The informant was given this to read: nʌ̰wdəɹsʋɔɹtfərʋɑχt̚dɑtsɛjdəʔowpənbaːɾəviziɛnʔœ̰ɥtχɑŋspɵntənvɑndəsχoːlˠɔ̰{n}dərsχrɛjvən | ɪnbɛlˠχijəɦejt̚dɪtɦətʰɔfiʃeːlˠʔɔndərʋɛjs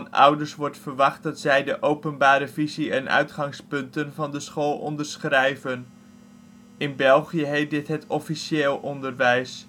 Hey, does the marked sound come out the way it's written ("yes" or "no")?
yes